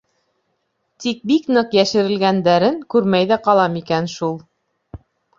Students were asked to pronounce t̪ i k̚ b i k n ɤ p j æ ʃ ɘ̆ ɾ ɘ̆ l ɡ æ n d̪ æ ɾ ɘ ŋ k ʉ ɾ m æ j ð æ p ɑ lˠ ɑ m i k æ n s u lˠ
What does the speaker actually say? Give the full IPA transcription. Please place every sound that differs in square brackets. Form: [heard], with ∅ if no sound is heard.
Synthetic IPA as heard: t̪ i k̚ b i k n ɤ [q] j æ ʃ ɘ̆ ɾ ɘ̆ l ɡ æ n d̪ æ ɾ ɘ ŋ k ʉ ɾ m æ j ð æ [q] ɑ lˠ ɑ m i k æ n [ʃ] u lˠ